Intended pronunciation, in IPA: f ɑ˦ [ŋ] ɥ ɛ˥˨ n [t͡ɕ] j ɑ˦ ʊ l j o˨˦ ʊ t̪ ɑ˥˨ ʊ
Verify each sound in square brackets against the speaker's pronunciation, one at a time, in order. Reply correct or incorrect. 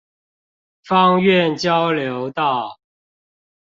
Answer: correct, correct

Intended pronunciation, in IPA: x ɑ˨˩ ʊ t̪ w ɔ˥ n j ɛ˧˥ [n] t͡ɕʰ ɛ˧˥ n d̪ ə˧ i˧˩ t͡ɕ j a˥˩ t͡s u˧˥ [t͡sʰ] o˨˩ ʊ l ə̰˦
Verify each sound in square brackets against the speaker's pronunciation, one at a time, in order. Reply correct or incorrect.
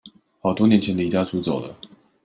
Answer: correct, incorrect

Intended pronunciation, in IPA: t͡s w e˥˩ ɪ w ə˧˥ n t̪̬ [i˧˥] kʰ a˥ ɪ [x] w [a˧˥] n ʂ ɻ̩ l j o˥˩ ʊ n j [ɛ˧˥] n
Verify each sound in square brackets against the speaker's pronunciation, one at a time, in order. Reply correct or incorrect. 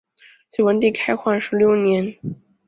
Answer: incorrect, correct, incorrect, correct

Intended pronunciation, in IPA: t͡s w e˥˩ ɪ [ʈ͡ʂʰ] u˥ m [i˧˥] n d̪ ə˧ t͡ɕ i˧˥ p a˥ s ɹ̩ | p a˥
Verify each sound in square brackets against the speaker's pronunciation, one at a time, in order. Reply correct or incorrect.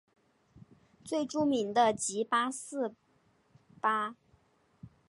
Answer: incorrect, correct

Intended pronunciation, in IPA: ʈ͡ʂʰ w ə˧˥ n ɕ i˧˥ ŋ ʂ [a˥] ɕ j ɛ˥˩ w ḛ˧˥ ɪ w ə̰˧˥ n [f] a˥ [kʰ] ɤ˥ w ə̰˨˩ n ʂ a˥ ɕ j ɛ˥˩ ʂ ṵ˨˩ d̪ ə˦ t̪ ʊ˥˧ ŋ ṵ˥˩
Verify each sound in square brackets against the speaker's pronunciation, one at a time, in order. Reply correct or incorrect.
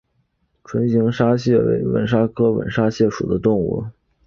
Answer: correct, incorrect, correct

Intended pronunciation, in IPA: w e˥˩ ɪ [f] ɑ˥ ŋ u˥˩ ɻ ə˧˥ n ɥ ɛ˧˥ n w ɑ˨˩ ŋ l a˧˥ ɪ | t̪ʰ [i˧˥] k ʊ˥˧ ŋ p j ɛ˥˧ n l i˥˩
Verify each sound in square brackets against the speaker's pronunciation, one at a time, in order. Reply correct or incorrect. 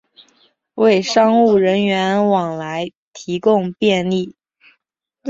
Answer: incorrect, correct

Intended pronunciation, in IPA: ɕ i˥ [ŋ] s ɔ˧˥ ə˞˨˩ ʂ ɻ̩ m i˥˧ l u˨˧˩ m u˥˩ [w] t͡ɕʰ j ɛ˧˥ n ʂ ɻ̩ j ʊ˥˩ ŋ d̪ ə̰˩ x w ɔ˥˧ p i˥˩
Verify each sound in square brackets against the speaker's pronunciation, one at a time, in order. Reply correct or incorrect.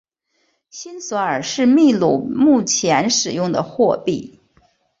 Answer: incorrect, incorrect

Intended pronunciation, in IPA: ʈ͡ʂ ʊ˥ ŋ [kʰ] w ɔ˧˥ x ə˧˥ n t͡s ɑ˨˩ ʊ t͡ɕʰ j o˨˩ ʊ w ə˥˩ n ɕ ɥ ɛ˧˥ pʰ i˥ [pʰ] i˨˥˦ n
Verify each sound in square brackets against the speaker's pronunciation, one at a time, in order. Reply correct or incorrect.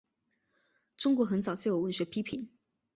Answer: incorrect, correct

